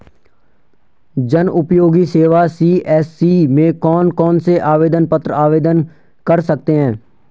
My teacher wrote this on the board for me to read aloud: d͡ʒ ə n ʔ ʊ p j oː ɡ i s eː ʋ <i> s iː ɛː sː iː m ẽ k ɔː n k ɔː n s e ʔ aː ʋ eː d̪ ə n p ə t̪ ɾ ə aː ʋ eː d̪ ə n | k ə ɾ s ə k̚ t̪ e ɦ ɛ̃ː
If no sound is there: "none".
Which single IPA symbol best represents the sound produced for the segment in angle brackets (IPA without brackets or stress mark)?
a